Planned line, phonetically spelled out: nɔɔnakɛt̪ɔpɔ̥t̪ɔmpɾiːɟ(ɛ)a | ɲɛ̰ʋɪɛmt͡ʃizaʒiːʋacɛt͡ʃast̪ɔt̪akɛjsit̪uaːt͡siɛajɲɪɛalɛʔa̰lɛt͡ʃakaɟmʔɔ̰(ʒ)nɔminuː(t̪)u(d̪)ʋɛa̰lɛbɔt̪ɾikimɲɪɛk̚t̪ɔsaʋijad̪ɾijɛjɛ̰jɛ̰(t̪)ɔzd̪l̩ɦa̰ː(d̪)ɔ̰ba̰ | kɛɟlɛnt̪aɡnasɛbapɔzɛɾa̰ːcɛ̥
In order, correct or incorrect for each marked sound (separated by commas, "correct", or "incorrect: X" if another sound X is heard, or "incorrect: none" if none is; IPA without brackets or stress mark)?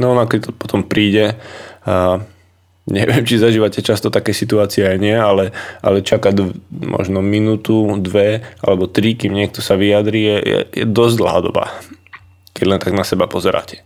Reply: correct, correct, correct, correct, incorrect: d̪, correct